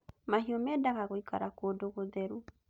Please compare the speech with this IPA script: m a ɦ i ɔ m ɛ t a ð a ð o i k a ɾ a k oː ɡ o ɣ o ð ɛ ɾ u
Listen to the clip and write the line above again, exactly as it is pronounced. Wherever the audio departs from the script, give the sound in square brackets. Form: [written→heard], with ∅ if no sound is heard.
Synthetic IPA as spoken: m a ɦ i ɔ m ɛ [t→d] a [ð→ɣ] a [ð→ɣ] o i k a ɾ a k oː [ɡ→d] o ɣ o ð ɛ ɾ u